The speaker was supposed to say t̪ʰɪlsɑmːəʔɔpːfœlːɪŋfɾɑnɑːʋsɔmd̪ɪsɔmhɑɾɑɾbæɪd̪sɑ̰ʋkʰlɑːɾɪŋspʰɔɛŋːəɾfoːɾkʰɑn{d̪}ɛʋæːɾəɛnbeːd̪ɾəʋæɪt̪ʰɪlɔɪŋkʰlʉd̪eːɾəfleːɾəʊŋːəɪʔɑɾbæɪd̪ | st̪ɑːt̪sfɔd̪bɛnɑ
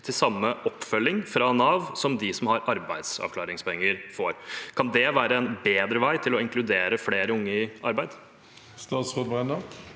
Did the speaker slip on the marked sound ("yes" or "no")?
no